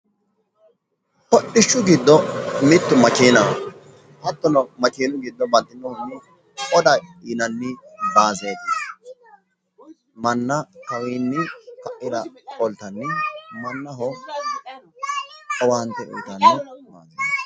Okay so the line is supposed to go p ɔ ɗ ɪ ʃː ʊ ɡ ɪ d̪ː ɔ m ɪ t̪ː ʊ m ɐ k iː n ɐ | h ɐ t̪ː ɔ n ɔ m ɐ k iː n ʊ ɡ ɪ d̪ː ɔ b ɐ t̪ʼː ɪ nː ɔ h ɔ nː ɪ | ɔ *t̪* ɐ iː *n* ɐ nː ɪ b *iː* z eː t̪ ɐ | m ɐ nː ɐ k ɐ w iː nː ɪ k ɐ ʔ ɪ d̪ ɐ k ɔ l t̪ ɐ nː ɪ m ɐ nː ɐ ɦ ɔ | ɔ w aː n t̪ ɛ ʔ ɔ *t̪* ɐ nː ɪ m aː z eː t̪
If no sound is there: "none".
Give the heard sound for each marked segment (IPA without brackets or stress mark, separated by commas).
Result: d̪, n, aː, t̪